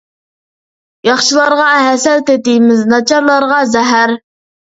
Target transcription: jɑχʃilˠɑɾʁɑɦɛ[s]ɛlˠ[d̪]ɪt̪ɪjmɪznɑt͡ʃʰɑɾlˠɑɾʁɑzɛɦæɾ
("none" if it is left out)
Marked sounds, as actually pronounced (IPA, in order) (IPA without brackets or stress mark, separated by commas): s, t̪